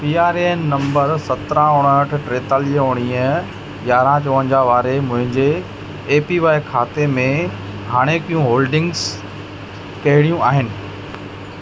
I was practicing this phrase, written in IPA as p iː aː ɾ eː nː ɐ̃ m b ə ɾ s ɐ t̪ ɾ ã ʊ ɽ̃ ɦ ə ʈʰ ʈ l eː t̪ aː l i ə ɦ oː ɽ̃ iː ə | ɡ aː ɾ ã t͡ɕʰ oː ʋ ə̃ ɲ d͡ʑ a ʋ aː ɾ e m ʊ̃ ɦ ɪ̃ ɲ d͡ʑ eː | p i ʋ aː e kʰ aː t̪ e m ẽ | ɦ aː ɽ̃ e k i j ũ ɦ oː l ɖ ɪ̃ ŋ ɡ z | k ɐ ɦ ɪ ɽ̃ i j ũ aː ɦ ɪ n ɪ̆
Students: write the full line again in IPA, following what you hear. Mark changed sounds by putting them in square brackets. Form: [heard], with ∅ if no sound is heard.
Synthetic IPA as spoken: p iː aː ɾ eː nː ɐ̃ m b ə ɾ s ɐ t̪ ɾ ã ʊ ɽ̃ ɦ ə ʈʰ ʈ [ɾ] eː t̪ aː l i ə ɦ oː ɽ̃ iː ə | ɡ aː ɾ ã [t͡ɕ] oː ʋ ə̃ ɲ d͡ʑ a ʋ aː ɾ e m ʊ̃ ɦ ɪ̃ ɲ d͡ʑ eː | p i ʋ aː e kʰ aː t̪ e m ẽ | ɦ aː ɽ̃ e k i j ũ ɦ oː l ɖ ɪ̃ ŋ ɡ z | k ɐ ɦ ɪ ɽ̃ i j ũ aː ɦ ɪ n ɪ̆